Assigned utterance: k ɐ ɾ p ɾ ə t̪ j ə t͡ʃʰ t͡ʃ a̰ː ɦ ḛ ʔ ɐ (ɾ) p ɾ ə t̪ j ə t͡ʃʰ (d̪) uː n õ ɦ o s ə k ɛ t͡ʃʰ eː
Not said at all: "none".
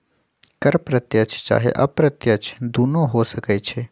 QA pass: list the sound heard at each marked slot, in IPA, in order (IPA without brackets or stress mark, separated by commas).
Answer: none, d̪